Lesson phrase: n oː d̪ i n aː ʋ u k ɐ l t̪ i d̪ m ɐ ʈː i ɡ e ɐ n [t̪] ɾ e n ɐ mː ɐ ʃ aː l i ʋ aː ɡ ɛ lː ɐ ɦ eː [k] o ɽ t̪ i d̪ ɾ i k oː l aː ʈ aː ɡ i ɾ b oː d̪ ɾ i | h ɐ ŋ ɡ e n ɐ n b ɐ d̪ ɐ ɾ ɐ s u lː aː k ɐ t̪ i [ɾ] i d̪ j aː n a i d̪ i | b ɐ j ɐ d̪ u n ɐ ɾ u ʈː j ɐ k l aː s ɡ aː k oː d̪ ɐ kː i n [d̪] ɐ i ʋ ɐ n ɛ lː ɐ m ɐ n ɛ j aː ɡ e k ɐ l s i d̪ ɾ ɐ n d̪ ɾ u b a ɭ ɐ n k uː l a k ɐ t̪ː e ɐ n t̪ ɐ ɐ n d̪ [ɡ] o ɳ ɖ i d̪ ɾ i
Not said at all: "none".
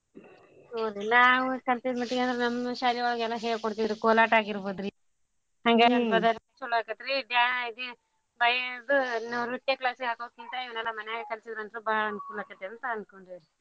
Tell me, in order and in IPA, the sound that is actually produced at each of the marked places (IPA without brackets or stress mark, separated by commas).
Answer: d̪, k, ɾ, t̪, k